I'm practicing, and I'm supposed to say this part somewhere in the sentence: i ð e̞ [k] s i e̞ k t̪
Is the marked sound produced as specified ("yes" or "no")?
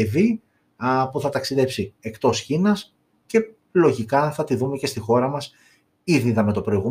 no